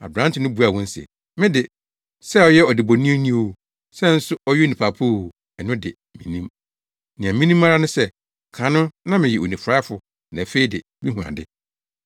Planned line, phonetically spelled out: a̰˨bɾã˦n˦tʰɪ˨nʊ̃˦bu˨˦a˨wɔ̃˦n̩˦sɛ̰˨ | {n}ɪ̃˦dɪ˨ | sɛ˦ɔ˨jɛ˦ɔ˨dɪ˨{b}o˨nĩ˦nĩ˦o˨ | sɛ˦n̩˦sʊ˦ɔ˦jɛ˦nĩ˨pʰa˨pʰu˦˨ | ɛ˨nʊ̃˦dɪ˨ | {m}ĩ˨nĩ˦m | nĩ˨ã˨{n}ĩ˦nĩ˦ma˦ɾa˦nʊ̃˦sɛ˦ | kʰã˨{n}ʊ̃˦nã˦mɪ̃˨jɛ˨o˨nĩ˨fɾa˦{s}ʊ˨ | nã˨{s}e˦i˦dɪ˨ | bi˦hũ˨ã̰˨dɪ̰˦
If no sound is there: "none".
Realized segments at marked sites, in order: m, b, m, m, n, f, f

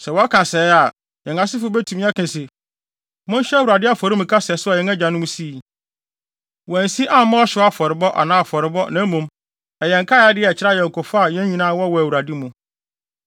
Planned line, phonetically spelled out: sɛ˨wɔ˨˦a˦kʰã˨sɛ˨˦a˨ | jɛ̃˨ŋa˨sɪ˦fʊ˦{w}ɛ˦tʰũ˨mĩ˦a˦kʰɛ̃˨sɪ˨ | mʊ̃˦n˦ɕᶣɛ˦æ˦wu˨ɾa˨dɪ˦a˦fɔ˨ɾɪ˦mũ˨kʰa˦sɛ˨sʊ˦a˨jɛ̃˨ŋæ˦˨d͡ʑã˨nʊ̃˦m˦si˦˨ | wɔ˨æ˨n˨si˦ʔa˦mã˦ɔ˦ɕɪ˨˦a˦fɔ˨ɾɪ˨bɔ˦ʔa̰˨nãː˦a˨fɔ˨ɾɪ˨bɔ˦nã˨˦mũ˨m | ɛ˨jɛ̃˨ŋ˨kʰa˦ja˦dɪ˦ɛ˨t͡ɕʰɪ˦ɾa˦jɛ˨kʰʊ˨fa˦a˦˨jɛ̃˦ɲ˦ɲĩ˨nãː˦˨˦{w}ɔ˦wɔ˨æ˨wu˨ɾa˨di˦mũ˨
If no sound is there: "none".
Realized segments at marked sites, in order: b, w

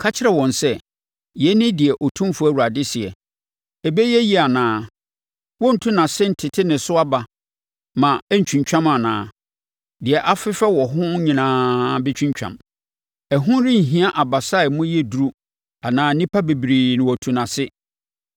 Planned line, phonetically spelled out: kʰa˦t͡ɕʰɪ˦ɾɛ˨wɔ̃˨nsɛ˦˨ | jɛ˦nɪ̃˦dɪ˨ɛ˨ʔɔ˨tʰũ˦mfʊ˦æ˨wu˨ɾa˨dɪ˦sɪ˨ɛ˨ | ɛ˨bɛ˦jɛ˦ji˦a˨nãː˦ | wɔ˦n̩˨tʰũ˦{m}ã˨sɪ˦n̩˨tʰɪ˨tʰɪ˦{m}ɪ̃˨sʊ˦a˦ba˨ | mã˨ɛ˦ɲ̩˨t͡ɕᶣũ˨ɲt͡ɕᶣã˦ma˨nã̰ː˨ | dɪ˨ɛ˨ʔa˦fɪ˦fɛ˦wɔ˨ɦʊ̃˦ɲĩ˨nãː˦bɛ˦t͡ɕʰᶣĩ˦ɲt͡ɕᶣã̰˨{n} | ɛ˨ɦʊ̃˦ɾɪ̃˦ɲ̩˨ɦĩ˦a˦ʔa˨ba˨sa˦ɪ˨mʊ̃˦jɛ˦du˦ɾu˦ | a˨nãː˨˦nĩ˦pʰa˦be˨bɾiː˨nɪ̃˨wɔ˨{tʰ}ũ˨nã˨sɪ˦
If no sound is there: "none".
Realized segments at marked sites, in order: n, n, m, tʰ

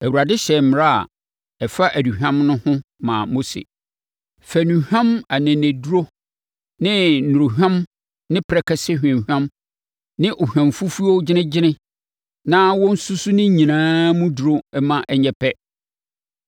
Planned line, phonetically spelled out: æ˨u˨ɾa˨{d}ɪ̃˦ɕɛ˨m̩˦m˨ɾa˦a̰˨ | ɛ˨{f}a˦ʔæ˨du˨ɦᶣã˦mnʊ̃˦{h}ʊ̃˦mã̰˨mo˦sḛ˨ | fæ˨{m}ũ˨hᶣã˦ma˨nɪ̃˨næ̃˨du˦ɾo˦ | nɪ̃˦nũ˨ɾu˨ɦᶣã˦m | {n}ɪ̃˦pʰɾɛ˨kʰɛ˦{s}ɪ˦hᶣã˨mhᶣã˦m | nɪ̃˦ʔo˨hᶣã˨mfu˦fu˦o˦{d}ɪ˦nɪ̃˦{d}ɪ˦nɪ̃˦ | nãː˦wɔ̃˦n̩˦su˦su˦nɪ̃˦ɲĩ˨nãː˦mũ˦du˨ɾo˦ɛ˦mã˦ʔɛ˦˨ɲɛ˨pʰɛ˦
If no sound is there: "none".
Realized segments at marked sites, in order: d, f, h, n, n, s, d͡ʑ, d͡ʑ

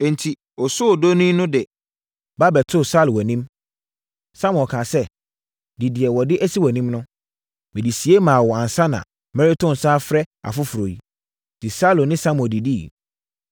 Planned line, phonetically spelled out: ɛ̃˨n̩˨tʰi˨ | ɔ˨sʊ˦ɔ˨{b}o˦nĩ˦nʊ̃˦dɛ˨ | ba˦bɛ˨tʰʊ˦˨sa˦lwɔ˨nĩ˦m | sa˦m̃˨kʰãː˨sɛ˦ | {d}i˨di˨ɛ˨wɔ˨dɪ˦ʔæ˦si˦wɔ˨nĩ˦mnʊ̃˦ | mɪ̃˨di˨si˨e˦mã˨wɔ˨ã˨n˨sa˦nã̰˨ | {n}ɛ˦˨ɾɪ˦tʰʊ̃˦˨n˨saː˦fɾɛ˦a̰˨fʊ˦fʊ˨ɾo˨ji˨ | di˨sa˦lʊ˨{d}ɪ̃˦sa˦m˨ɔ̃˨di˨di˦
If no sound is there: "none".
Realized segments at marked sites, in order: d, d, m, n

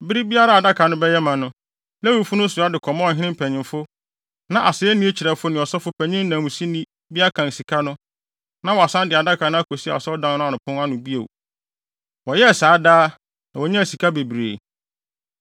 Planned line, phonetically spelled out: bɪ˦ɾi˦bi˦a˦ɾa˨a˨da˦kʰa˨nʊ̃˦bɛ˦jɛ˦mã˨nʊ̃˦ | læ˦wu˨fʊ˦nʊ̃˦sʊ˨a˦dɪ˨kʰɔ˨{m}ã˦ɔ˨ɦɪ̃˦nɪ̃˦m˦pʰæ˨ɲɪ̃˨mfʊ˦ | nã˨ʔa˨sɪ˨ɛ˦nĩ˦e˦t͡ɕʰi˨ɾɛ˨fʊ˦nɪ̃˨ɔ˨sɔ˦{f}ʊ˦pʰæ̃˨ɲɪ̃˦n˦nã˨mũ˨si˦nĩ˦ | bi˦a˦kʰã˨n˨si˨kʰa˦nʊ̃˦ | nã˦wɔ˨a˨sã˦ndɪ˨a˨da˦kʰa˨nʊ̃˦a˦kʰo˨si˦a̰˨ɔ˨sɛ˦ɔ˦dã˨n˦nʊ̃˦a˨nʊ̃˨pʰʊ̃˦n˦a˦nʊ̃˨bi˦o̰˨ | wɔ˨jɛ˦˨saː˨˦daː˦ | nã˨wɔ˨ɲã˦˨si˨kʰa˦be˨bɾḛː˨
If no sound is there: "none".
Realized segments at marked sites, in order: m, f

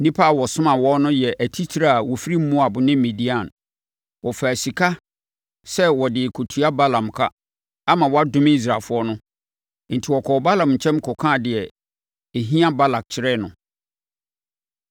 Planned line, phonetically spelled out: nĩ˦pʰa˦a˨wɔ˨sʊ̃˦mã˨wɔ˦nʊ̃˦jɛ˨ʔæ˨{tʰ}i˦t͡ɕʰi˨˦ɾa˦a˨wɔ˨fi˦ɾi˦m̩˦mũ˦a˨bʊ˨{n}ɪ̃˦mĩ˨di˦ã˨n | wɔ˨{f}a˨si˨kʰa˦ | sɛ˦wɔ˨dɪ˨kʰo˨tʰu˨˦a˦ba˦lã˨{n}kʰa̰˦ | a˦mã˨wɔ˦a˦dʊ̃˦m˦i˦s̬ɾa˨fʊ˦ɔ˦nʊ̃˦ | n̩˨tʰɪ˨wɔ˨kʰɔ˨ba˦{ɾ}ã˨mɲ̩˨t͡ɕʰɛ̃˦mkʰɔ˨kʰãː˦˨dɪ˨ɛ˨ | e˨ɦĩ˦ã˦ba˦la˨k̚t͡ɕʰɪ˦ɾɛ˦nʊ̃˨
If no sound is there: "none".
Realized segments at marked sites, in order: tʰ, n, f, m, l

